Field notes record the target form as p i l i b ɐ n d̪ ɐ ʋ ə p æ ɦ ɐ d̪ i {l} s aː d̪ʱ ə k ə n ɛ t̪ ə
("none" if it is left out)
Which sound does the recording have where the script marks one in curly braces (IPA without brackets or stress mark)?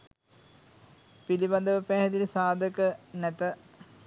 l